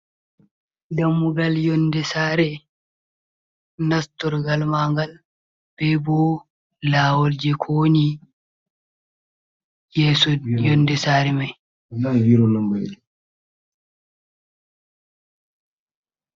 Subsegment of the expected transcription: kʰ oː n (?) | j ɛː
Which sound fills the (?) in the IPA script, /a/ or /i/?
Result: i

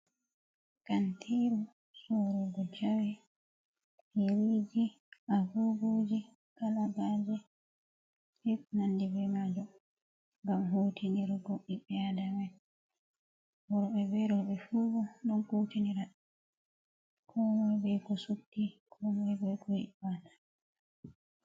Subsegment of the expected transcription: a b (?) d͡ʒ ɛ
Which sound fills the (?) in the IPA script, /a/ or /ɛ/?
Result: a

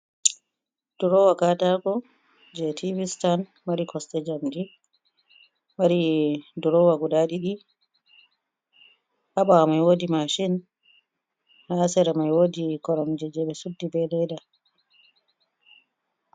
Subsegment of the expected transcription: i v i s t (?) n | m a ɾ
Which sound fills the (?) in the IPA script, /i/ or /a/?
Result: a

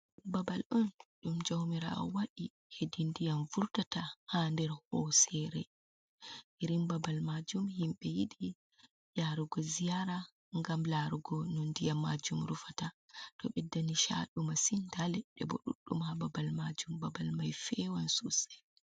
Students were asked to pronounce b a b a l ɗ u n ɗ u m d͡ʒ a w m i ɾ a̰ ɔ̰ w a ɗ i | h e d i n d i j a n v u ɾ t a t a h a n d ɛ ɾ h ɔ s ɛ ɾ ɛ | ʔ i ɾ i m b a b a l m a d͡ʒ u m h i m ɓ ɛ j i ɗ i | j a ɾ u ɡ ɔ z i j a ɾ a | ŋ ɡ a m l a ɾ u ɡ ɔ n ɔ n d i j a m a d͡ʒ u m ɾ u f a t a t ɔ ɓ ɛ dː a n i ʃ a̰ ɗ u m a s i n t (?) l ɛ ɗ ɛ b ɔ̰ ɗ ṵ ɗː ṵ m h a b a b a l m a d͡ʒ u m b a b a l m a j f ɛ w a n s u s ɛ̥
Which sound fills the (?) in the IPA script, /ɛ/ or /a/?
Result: a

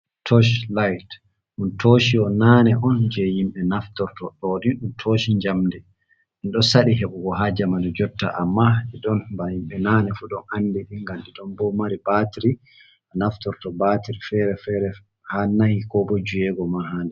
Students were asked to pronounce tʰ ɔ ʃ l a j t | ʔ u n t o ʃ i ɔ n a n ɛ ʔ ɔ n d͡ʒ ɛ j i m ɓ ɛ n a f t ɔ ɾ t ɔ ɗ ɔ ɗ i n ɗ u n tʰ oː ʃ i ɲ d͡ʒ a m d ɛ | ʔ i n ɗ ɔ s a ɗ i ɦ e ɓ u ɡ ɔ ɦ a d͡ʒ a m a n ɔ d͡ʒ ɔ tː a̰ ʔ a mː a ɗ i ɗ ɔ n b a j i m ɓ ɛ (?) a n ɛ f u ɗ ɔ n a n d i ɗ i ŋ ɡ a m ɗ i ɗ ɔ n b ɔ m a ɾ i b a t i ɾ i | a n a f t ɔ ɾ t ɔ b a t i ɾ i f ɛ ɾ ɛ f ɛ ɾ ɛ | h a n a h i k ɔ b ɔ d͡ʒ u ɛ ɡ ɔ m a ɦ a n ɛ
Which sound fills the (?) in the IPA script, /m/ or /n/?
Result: n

